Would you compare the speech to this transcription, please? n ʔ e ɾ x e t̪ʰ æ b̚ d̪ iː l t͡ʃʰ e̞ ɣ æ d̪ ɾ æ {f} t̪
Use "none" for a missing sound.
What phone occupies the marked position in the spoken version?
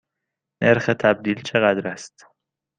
s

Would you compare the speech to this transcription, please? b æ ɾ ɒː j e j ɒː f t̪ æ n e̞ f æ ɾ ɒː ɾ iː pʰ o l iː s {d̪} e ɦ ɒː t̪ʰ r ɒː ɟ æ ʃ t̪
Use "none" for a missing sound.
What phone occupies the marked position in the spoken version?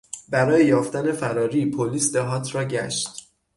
d̪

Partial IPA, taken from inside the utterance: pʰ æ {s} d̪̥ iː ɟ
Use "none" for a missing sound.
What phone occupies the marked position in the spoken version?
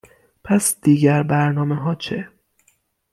s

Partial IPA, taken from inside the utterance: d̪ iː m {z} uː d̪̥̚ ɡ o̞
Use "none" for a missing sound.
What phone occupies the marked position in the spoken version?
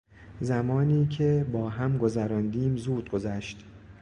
z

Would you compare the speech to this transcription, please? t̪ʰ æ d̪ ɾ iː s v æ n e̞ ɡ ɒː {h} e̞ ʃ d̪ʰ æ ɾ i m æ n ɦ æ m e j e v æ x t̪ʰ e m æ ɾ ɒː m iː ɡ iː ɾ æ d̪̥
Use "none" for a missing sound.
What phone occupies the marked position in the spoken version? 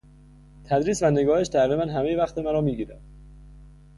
h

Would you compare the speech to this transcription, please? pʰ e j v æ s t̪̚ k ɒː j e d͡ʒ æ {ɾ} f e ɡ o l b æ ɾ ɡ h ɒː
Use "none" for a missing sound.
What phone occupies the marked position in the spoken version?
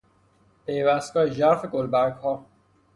ɾ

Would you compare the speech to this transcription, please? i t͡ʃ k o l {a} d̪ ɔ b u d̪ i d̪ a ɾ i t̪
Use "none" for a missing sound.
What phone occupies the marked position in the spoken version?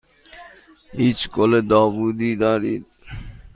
e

